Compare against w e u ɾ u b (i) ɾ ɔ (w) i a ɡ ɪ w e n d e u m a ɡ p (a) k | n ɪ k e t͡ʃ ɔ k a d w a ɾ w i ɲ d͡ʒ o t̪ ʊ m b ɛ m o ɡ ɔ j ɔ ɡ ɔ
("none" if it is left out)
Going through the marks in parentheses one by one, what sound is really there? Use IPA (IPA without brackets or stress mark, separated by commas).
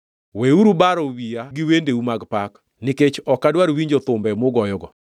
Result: a, w, a